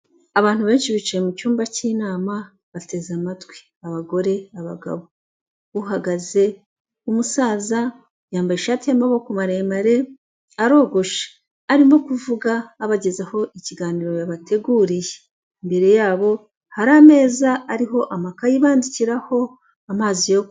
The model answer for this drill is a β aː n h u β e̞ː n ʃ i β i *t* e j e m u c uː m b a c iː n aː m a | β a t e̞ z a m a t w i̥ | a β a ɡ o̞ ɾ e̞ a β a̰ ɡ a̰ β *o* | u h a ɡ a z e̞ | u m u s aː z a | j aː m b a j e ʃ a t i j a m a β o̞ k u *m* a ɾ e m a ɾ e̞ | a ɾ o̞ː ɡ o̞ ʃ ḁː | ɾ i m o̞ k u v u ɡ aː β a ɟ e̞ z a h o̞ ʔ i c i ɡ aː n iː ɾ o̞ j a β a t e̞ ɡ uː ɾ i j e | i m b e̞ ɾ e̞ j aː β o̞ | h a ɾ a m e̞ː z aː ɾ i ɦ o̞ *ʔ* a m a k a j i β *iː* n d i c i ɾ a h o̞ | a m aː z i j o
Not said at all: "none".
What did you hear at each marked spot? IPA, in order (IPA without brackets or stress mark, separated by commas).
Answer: t͡ʃ, o, m, ʔ, aː